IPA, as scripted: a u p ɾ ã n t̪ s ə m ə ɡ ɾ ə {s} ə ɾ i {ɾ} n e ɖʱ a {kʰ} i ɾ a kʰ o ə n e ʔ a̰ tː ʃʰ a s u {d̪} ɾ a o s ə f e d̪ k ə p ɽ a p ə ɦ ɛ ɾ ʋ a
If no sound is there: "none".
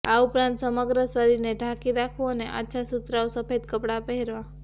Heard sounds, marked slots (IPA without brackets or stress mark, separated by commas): s, ɾ, k, t̪